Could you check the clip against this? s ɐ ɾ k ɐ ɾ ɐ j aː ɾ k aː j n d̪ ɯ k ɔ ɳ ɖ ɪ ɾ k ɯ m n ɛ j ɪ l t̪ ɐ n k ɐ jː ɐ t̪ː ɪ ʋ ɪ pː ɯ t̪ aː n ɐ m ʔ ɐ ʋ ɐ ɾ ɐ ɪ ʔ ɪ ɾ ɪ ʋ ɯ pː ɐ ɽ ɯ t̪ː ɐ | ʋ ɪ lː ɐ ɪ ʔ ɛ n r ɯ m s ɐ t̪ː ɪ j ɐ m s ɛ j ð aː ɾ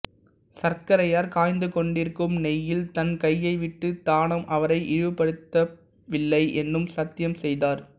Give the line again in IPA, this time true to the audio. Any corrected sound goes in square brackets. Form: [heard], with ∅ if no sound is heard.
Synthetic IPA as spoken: s ɐ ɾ k ɐ ɾ ɐ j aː ɾ k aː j n d̪ ɯ k ɔ ɳ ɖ ɪ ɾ k ɯ m n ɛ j ɪ l t̪ ɐ n k ɐ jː ɐ [∅] ɪ ʋ ɪ [ʈː] ɯ t̪ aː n ɐ m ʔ ɐ ʋ ɐ ɾ ɐ ɪ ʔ ɪ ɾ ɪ ʋ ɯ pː ɐ ɽ ɯ t̪ː ɐ | ʋ ɪ lː ɐ ɪ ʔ ɛ n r ɯ m s ɐ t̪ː ɪ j ɐ m s ɛ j ð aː ɾ